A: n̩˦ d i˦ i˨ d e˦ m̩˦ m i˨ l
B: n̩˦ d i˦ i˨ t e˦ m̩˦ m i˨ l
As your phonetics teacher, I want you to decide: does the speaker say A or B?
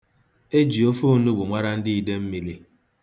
A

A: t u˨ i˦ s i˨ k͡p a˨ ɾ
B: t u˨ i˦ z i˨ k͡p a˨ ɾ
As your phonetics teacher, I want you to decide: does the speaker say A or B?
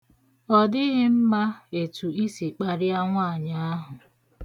A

